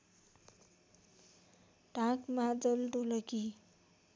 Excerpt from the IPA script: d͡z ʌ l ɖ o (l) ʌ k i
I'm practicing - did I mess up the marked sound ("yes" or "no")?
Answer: no